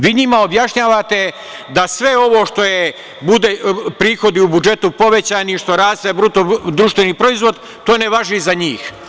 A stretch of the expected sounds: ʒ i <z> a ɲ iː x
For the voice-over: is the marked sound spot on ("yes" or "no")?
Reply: yes